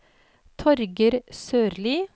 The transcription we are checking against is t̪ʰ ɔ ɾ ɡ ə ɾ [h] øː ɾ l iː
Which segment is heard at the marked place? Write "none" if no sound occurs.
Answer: s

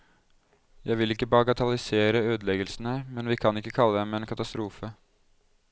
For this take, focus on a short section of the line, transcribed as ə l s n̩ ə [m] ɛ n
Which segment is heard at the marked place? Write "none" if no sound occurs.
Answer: m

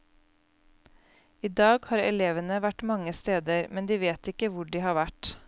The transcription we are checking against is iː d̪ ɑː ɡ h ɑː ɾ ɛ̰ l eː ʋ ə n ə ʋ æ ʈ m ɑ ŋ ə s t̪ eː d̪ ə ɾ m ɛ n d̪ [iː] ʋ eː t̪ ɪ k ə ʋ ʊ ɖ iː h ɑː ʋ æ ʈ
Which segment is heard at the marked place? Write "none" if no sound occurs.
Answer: iː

